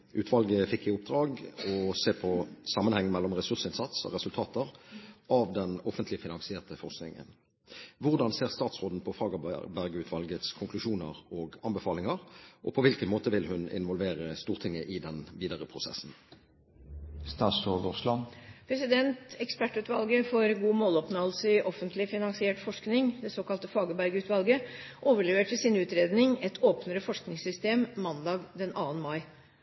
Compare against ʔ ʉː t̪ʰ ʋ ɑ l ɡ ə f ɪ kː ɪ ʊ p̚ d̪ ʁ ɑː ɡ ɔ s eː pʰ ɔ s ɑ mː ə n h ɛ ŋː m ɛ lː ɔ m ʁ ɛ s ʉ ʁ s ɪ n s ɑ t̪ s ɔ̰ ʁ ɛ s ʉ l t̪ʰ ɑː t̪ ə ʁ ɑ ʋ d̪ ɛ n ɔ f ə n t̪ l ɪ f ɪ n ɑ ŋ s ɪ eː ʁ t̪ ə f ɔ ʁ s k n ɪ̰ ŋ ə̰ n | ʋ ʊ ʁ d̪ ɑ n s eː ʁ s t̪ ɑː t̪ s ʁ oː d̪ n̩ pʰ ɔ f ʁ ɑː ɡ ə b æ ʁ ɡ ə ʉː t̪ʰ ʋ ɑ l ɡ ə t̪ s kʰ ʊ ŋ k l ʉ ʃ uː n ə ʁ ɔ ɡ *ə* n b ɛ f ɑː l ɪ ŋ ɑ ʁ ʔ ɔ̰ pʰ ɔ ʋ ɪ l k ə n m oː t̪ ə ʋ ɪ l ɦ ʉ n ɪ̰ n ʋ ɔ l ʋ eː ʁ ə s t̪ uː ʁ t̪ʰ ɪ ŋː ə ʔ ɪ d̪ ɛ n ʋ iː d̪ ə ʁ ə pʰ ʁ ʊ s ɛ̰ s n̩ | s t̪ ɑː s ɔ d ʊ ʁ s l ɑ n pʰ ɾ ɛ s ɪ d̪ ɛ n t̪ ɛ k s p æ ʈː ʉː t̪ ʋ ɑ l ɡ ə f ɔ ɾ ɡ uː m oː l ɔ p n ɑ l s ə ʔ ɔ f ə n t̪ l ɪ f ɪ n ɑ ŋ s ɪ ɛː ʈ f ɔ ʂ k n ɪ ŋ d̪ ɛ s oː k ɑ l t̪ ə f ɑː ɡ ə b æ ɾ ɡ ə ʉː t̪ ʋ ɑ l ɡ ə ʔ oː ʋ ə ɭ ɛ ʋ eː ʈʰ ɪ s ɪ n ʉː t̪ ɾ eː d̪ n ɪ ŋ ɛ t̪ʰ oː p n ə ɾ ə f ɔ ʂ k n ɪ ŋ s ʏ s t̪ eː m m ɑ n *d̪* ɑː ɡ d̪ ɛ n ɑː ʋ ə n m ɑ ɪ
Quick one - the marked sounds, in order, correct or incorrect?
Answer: incorrect, correct

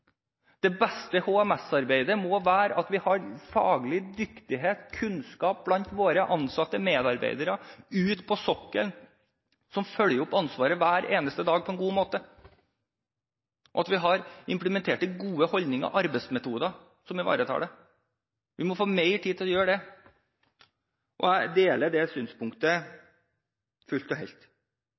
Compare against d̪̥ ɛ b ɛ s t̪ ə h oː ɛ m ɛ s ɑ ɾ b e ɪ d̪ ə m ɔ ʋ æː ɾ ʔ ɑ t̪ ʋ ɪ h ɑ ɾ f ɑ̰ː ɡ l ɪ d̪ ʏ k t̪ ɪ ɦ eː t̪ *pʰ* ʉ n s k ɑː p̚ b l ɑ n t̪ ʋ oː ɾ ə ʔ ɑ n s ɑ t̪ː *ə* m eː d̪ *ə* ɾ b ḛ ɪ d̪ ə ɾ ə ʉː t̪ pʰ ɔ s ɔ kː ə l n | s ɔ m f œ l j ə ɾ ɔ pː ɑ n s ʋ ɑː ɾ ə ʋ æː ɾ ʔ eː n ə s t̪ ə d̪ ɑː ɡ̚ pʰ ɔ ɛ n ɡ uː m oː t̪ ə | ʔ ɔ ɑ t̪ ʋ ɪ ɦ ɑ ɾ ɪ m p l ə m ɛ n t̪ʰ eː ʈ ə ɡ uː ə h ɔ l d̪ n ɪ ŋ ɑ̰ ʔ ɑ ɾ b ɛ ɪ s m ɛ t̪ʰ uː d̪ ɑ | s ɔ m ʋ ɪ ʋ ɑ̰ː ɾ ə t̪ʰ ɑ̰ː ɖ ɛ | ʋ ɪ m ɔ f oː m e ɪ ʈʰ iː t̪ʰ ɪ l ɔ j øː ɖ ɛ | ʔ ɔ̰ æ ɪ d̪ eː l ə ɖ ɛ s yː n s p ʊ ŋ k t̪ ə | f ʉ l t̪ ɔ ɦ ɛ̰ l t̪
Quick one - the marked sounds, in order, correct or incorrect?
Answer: incorrect, correct, incorrect

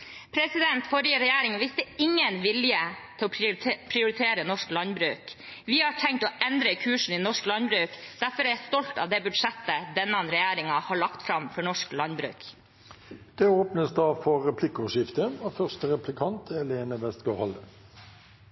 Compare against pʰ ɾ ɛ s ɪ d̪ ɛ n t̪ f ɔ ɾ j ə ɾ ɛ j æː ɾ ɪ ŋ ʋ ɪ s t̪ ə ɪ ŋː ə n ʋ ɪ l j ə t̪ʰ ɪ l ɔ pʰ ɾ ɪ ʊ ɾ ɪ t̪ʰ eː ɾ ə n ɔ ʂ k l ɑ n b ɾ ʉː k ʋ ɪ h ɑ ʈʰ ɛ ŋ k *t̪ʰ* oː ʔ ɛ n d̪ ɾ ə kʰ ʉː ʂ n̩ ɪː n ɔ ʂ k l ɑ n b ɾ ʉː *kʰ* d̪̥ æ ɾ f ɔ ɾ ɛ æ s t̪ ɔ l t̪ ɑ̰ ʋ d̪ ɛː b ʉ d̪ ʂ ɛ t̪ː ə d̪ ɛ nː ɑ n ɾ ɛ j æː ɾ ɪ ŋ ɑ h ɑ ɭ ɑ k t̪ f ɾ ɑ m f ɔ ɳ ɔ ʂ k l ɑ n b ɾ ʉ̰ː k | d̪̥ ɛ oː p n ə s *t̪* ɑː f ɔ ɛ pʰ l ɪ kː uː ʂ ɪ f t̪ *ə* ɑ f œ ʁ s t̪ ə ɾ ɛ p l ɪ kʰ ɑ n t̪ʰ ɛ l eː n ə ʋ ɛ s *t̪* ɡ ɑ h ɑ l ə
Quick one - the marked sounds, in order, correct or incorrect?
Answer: incorrect, incorrect, incorrect, correct, correct

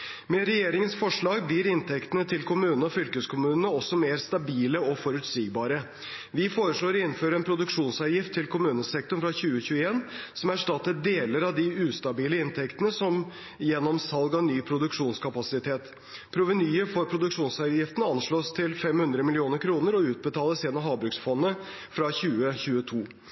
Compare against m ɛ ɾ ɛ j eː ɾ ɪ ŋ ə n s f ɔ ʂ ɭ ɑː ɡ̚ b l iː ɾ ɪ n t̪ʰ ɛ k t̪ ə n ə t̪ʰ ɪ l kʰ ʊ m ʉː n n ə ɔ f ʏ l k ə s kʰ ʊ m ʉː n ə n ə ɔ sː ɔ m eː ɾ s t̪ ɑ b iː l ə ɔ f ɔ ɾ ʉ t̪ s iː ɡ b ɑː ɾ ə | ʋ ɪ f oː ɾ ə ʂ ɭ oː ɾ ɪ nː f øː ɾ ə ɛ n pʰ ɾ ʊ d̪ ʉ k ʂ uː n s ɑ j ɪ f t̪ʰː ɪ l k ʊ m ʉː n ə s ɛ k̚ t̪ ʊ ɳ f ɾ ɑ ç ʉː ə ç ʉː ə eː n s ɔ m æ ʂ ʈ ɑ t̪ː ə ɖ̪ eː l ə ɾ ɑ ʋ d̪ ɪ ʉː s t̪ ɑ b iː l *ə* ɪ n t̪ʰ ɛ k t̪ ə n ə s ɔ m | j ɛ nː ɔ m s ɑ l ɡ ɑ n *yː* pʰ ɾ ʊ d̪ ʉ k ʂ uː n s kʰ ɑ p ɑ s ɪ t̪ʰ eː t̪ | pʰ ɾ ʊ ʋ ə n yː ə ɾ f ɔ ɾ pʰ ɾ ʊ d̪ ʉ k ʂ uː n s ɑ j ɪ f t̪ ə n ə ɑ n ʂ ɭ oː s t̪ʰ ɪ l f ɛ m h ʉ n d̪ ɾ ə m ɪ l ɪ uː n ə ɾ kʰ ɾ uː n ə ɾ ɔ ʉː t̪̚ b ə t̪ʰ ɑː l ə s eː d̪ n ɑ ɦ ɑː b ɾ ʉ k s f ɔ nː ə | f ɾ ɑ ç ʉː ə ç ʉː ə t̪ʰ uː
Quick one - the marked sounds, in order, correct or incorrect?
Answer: correct, correct

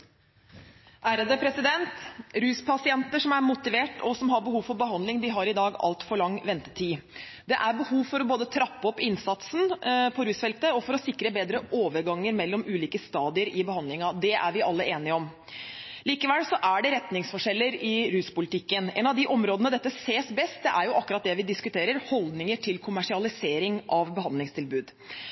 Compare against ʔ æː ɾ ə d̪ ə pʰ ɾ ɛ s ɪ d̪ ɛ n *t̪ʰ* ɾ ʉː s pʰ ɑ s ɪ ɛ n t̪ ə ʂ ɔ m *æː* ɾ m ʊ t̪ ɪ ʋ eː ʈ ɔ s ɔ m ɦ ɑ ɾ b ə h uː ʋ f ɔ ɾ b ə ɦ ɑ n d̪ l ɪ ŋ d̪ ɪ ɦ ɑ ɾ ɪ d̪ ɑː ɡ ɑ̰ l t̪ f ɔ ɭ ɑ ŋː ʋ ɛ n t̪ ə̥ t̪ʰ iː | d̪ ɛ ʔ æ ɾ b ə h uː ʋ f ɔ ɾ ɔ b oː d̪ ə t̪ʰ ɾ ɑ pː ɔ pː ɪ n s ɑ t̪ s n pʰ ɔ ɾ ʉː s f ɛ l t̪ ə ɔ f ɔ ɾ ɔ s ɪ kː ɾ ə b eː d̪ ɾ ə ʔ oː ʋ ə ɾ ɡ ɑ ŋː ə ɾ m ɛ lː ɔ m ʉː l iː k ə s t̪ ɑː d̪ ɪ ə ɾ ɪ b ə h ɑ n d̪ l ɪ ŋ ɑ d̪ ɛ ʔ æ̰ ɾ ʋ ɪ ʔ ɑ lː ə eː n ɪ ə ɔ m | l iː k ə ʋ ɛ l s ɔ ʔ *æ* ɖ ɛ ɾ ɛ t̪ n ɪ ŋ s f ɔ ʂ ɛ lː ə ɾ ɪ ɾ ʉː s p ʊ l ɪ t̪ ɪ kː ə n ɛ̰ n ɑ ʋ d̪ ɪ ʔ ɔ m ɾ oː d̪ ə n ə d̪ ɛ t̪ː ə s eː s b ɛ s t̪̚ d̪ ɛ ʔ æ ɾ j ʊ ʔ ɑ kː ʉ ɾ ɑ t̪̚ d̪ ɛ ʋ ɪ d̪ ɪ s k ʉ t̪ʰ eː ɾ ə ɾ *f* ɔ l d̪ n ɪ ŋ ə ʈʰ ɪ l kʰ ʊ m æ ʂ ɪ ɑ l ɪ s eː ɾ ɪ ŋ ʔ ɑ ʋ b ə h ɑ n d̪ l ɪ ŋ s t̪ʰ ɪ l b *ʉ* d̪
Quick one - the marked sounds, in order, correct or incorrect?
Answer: incorrect, incorrect, correct, incorrect, incorrect

